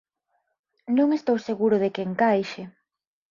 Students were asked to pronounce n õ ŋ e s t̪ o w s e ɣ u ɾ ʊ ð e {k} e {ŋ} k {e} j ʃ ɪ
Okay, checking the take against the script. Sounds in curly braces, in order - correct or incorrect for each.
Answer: correct, correct, incorrect: a

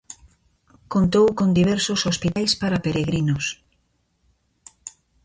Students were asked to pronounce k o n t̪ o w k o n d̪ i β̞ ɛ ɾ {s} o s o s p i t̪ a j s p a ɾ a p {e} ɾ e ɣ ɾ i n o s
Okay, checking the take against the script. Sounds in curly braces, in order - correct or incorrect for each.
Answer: correct, correct

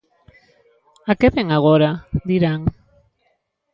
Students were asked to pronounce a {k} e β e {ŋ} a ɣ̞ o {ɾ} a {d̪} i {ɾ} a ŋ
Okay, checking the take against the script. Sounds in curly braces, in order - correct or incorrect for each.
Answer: correct, correct, correct, correct, correct

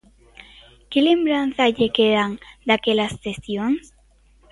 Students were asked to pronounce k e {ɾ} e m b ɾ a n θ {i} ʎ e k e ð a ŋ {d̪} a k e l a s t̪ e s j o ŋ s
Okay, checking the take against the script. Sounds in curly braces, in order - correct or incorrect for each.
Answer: incorrect: l, incorrect: a, correct

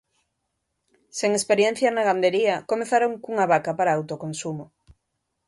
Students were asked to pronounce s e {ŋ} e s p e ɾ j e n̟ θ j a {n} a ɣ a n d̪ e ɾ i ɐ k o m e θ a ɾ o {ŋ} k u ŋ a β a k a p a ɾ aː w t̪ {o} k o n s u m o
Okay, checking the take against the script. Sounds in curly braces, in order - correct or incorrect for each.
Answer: correct, correct, correct, correct

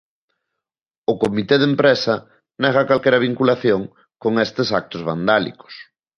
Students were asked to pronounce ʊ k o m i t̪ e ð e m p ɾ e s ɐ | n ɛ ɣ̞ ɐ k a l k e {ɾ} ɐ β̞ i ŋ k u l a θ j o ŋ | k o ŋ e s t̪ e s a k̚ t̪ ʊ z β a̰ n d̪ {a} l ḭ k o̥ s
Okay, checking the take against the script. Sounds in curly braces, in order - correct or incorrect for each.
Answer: correct, correct

